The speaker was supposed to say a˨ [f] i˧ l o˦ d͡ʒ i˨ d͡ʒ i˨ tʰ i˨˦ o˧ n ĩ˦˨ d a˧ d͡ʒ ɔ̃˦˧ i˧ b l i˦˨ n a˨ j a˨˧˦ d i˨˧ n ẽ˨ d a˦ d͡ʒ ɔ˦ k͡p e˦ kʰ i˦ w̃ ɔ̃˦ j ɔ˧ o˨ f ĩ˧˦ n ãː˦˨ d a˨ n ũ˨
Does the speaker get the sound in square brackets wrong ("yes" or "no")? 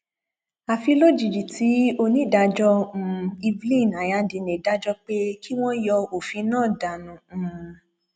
no